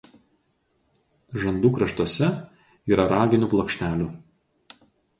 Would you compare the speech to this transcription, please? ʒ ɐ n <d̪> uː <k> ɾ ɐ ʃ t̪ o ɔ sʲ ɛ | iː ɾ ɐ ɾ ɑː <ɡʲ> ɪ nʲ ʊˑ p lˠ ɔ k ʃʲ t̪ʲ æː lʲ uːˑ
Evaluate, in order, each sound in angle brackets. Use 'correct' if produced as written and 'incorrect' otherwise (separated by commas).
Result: correct, correct, correct